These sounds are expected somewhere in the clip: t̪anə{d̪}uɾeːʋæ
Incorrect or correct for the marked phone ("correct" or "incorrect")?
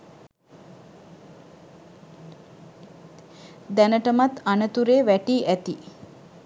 incorrect